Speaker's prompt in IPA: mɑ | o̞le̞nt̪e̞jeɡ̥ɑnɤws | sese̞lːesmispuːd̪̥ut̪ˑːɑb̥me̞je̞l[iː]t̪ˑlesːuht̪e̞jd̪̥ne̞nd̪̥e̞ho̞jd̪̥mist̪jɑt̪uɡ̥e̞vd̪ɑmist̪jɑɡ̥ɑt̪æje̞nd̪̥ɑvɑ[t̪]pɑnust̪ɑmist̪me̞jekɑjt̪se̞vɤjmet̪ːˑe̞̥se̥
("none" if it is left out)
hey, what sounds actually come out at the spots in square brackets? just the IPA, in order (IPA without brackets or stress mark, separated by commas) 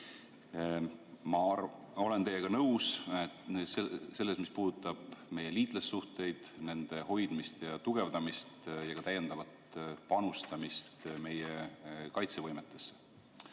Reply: iː, t̪